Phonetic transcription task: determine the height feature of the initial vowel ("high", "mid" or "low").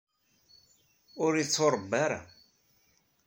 high